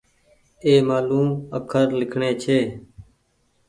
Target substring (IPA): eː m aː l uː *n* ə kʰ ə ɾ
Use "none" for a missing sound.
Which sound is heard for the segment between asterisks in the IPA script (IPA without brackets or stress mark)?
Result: m